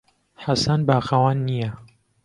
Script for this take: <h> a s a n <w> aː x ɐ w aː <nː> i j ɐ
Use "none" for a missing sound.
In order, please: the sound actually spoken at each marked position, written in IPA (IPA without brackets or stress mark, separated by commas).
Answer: ħ, b, nː